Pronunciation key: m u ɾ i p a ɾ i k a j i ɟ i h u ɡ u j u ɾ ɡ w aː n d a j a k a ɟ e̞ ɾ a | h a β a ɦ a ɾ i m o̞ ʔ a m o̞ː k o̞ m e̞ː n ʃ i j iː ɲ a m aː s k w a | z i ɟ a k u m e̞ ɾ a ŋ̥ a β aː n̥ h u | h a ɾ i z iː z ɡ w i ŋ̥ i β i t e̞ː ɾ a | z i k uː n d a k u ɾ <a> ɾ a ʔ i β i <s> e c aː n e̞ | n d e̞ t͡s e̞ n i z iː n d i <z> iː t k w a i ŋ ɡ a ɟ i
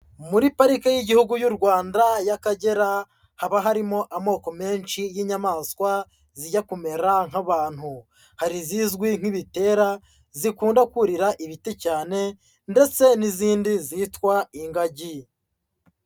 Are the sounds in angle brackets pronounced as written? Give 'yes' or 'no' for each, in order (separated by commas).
no, no, yes